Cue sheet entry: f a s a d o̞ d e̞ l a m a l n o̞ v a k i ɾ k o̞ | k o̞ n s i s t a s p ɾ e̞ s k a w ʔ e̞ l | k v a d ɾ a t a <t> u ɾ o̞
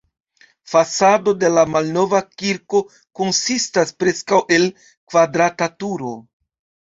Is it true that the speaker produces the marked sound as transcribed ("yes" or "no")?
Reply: yes